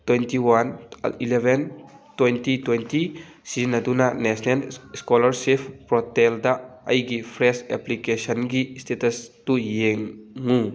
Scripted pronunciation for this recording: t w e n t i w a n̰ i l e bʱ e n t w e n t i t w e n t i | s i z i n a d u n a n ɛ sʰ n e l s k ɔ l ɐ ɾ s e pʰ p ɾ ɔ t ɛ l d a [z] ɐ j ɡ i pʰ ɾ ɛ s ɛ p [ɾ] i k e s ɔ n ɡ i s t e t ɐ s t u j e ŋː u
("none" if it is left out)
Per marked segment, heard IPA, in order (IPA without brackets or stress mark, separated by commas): none, l